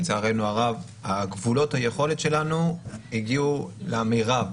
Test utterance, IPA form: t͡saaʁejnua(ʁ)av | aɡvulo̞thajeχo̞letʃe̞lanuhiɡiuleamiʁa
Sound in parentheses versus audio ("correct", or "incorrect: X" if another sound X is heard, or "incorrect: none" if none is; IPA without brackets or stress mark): correct